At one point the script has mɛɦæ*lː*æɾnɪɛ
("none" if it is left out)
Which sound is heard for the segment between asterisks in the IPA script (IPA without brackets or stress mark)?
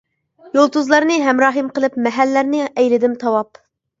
lː